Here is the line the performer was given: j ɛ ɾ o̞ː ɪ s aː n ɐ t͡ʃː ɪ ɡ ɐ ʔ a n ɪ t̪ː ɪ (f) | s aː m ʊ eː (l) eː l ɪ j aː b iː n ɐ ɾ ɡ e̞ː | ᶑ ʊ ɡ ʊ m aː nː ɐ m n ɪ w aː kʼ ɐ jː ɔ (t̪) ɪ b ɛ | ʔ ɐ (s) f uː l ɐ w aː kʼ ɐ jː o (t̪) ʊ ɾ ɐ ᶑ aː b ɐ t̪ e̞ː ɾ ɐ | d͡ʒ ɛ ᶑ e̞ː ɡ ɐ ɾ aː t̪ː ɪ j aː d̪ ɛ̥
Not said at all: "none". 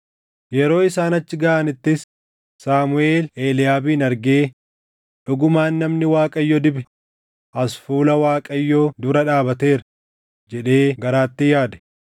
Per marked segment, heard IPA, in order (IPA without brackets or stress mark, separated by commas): s, l, d̪, s, d̪